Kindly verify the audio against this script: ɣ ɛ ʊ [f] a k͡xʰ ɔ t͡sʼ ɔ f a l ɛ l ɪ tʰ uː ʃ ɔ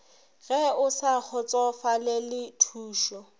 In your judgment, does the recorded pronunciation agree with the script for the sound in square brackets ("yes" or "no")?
no